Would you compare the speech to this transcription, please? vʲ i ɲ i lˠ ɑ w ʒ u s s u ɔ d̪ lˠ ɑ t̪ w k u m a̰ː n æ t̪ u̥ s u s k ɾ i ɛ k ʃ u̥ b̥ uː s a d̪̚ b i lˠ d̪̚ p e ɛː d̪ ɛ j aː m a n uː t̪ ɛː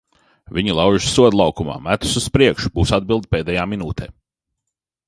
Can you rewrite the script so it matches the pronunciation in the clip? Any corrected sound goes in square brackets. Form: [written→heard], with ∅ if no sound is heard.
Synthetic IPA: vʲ i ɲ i lˠ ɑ w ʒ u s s u ɔ d̪ lˠ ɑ [t̪→∅] w k u m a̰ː [n→m] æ t̪ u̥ s u s [k→p] ɾ i ɛ k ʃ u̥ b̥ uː s a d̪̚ b i lˠ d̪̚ p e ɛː d̪ ɛ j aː m [a→i] n uː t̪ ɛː